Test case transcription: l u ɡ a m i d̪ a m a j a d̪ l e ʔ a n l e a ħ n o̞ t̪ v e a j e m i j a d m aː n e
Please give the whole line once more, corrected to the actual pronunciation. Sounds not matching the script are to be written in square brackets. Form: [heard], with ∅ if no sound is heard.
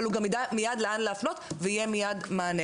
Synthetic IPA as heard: l u ɡ a m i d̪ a m [i] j a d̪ l e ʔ a n l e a [f] n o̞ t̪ v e [i] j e m i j a d m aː n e